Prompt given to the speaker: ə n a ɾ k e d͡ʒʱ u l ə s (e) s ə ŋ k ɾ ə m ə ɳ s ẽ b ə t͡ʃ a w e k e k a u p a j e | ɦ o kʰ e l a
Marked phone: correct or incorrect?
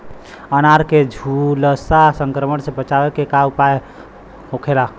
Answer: incorrect